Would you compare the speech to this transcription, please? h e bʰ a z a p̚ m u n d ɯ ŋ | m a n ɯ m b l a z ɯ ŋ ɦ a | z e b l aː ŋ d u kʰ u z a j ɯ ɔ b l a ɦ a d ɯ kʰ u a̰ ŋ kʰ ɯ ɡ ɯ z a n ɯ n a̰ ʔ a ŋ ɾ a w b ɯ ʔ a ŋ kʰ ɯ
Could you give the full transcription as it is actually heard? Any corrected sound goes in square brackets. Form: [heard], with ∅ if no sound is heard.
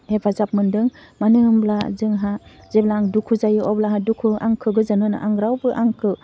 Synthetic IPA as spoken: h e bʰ a z a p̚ m [ɯ] n d ɯ ŋ | m a n ɯ m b l a z ɯ ŋ ɦ a | z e b l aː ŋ d u kʰ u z a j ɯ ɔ b l a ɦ a d [u] kʰ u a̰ ŋ kʰ ɯ ɡ ɯ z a n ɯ n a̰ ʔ a ŋ ɾ a w b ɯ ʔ a ŋ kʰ ɯ